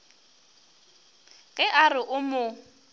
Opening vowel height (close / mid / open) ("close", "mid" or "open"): mid